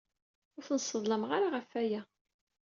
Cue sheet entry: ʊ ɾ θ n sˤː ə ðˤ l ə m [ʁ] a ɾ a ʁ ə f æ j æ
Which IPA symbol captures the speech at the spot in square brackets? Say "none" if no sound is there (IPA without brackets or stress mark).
ʁ